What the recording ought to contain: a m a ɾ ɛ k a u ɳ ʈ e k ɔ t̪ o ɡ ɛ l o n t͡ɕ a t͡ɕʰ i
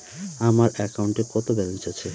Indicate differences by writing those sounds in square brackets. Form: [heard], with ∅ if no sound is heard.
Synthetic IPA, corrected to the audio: a m a ɾ ɛ k a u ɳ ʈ e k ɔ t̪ o [b] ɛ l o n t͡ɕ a t͡ɕʰ [e]